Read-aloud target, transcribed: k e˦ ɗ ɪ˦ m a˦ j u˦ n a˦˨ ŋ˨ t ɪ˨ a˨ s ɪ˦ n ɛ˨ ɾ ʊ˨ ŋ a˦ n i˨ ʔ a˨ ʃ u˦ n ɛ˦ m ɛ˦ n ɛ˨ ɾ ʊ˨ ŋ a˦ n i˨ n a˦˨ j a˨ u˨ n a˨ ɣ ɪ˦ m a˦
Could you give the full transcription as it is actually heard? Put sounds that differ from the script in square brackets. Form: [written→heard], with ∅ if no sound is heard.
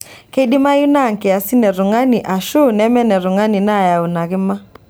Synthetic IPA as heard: k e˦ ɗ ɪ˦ m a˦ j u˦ n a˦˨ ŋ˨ [t→k] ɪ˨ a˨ s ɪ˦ n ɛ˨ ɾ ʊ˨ ŋ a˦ n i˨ ʔ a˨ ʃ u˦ n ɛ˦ m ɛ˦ n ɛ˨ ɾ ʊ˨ ŋ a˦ n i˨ n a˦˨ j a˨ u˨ n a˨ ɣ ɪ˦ m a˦

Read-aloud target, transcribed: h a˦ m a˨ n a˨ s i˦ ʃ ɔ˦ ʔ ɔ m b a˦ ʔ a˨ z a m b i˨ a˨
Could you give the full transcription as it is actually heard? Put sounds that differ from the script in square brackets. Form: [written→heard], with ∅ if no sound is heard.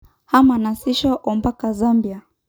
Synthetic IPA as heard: h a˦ m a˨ n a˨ s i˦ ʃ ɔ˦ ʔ ɔ m b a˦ [ʔ→k] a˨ z a m b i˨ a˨

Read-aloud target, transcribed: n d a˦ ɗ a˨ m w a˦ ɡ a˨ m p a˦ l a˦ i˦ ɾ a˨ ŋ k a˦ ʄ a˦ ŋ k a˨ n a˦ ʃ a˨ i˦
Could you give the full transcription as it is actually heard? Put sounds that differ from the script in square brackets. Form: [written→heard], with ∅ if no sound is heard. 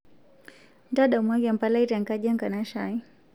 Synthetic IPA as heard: n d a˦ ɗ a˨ m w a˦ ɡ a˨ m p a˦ l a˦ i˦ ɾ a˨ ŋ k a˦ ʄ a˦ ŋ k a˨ n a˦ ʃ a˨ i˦

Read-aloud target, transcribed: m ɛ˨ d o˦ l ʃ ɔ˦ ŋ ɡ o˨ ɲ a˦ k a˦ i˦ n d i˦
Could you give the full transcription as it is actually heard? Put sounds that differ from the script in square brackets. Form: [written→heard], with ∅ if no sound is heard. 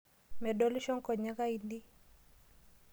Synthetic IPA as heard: m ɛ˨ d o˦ l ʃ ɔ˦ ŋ [ɡ→k] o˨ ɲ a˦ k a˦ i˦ n d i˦

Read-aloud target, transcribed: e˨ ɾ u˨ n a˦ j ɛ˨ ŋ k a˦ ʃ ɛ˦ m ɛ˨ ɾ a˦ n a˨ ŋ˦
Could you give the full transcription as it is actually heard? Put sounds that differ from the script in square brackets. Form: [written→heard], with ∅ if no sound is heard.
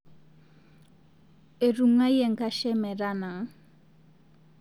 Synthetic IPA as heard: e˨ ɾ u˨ [n→ŋ] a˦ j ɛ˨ ŋ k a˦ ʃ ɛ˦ m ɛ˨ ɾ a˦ n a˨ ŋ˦

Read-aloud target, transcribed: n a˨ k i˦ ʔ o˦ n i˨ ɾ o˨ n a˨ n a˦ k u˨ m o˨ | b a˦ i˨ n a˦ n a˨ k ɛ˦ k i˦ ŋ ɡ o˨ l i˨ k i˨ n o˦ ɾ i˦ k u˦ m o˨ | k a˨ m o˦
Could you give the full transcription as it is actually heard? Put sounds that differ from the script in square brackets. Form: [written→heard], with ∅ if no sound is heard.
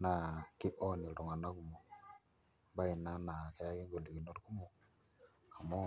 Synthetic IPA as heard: n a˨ k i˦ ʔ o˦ n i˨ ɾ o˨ [n→ŋ] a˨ n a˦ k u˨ m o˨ | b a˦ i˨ n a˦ n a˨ k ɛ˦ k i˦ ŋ ɡ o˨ l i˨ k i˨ n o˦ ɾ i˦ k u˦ m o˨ | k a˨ m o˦

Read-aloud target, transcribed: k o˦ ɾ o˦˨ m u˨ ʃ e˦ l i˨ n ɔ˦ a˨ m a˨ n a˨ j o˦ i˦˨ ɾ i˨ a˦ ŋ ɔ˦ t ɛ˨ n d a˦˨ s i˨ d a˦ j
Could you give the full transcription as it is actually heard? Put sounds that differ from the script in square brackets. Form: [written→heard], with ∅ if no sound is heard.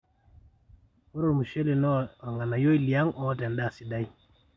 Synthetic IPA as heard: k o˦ ɾ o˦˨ m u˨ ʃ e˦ l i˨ n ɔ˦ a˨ [m→ŋ] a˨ n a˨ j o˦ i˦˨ [ɾ→l] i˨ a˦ ŋ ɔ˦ t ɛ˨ n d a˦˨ s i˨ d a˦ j

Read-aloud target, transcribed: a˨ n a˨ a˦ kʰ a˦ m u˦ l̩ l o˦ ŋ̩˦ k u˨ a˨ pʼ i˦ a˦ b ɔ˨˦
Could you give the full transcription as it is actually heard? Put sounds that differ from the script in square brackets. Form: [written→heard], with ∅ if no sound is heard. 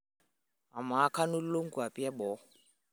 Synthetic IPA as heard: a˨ [n→m] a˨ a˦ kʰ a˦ [m→n] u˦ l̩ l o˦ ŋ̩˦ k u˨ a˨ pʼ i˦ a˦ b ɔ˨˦

